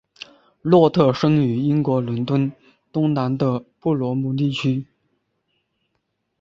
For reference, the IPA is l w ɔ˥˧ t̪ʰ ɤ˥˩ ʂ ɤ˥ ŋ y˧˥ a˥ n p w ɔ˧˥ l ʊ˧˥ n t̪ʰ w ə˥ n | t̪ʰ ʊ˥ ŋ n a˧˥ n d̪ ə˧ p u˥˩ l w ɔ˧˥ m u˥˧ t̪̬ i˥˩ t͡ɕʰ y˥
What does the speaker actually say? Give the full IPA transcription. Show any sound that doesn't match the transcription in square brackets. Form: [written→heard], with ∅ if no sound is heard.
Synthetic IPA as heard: l w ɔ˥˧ t̪ʰ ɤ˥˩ ʂ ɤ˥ ŋ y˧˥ [a˥→i˥] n [p→k] w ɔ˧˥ l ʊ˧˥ n [t̪ʰ→t̪] w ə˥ n | [t̪ʰ→t̪] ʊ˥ ŋ n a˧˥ n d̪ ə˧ p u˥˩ l w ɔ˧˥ m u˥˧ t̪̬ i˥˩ t͡ɕʰ y˥